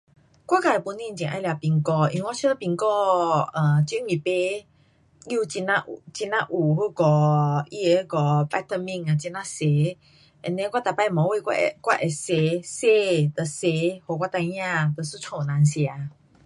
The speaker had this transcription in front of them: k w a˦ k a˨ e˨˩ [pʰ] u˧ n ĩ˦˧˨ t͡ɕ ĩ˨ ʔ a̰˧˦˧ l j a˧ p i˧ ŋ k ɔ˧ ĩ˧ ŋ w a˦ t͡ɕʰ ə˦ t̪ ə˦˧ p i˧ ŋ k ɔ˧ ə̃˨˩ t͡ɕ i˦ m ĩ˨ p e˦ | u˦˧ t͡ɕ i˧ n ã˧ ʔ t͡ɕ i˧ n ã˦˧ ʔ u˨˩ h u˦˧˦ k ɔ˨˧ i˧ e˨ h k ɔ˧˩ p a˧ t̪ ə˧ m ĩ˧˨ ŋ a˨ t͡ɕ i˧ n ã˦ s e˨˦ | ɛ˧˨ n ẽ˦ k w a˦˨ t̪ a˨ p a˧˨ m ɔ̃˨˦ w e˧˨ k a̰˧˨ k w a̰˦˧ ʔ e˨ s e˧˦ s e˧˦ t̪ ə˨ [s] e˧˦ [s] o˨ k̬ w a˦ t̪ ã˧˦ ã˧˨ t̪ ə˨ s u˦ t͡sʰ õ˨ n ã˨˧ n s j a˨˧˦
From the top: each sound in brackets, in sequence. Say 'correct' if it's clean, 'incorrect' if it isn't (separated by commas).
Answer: incorrect, correct, incorrect